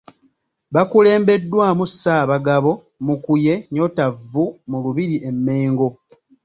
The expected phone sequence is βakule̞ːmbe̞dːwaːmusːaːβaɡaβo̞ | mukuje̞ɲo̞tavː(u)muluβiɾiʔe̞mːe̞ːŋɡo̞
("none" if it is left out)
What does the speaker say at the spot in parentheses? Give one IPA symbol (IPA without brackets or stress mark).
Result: u